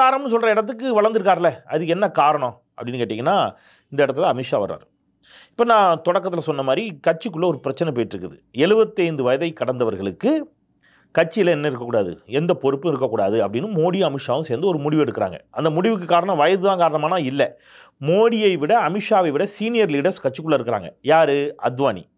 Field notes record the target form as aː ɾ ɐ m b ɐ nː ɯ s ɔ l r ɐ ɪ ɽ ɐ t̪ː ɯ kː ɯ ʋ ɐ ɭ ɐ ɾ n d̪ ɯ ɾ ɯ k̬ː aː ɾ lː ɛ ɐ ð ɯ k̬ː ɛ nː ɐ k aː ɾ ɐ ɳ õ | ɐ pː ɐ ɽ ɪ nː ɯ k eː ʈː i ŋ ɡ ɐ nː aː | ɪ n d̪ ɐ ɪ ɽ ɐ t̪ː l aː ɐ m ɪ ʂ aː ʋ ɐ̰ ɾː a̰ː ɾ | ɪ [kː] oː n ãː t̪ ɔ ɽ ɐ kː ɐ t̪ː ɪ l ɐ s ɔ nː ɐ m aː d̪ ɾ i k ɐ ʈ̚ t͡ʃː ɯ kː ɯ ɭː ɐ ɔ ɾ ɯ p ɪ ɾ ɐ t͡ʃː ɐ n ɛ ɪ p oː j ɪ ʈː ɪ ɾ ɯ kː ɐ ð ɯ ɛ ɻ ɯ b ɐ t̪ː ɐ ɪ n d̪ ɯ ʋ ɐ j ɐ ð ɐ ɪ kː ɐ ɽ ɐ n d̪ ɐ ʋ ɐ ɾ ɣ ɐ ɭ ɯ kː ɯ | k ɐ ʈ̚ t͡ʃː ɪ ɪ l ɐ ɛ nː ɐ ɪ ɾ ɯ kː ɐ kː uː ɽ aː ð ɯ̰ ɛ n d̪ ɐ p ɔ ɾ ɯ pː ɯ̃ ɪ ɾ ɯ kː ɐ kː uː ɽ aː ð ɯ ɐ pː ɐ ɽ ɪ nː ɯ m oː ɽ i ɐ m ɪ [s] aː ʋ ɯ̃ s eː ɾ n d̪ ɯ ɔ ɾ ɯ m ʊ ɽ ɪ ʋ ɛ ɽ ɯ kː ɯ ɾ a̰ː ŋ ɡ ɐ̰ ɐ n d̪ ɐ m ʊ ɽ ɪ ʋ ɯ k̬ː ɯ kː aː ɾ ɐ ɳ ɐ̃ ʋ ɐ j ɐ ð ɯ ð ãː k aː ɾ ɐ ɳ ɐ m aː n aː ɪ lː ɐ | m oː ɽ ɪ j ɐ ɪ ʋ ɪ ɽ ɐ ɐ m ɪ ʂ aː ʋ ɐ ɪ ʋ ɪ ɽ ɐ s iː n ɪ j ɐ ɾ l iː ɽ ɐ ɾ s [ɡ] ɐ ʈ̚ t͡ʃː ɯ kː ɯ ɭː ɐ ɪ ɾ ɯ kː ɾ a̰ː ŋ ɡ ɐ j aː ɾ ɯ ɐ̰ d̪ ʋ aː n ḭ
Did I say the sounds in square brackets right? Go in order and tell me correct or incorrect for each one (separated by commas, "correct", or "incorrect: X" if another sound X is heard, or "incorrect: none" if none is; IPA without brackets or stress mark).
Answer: incorrect: pː, incorrect: ʂ, incorrect: k